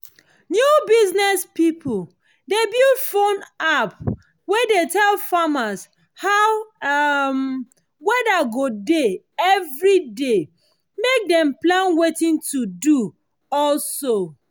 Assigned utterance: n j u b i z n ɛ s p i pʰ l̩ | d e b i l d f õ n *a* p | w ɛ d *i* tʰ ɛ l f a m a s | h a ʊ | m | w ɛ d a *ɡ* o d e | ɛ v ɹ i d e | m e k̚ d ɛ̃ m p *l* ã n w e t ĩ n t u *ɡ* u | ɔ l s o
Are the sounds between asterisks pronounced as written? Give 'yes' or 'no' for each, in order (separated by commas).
yes, no, yes, yes, no